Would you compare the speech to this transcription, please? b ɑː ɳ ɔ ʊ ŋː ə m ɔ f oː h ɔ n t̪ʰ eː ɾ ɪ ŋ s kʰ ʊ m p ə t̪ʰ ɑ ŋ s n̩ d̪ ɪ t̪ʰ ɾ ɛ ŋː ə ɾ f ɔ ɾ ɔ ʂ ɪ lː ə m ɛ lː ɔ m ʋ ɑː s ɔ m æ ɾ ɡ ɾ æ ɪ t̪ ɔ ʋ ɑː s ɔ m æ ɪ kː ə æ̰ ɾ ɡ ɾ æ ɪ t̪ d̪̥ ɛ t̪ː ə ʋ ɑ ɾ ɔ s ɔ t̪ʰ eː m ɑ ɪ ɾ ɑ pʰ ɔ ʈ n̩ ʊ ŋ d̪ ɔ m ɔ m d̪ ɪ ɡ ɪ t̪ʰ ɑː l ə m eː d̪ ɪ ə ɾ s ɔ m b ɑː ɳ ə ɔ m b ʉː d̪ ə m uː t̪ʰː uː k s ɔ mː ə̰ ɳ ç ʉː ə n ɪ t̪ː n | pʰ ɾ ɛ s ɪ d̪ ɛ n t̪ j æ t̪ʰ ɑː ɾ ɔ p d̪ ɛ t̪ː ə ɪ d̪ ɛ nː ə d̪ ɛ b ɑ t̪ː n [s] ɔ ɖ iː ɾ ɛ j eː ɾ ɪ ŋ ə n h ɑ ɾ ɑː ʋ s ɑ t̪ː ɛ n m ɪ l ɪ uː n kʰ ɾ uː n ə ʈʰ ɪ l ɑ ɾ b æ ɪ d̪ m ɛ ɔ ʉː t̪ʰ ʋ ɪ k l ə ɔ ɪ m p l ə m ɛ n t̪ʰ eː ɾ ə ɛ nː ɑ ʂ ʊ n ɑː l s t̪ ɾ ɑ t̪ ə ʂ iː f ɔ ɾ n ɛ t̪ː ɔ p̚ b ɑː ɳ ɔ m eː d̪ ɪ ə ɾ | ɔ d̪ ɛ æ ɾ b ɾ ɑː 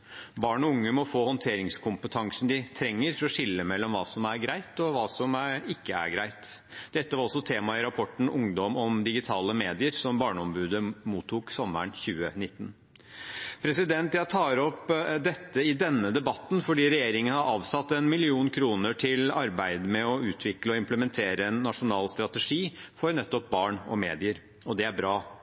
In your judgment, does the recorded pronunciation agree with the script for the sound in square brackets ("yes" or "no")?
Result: no